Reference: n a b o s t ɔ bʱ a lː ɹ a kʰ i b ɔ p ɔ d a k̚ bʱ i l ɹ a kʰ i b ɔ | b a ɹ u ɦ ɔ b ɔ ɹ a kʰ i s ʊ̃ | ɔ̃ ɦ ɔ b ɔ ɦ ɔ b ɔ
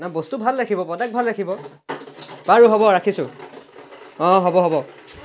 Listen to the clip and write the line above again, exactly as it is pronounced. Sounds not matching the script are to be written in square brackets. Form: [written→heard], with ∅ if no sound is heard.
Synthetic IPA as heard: n a b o s t [ɔ→u] bʱ a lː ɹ a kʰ i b ɔ p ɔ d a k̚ bʱ [i→a] l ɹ a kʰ i b ɔ | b a ɹ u ɦ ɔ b ɔ ɹ a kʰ i s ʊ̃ | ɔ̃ ɦ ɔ b ɔ ɦ ɔ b ɔ